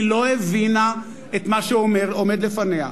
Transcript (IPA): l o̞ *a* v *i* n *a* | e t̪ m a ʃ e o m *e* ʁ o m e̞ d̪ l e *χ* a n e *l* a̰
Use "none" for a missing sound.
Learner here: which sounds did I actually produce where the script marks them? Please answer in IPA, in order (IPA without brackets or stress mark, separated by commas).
e, i, a, e, f, none